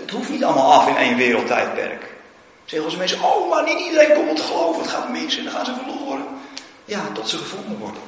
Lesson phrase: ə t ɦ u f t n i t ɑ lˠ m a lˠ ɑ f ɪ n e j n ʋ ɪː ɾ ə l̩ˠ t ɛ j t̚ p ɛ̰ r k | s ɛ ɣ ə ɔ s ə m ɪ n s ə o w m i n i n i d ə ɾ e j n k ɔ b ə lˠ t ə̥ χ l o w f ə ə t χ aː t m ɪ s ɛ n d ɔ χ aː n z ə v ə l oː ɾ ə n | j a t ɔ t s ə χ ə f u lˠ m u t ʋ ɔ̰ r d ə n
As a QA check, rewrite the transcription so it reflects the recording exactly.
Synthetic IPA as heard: ə t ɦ u f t n i t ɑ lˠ m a lˠ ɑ f ɪ n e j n ʋ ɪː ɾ ə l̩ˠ t ɛ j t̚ p ɛ̰ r k | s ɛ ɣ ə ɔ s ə m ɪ n s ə o w m a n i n i d ə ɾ e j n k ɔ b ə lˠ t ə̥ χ l o w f ə ə t χ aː t m ɪ s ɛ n d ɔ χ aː n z ə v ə l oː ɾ ə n | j a t ɔ t s ə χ ə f u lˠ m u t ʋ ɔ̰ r d ə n